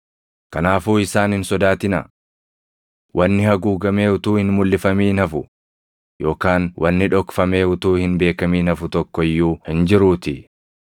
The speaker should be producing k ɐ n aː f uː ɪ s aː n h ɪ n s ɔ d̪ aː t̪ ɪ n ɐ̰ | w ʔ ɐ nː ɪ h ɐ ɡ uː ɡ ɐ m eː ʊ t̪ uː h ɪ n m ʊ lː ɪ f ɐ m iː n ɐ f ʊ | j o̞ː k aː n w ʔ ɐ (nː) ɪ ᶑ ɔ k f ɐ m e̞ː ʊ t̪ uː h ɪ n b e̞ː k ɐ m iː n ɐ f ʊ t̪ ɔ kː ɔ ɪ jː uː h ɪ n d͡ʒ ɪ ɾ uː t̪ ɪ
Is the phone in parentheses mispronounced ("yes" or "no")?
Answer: no